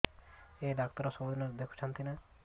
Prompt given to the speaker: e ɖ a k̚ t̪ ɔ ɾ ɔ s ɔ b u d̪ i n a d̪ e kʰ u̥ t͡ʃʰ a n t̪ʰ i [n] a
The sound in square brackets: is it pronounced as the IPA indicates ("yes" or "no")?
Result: yes